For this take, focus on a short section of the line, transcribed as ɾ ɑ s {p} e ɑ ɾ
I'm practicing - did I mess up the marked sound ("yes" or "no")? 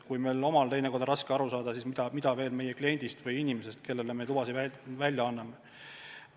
yes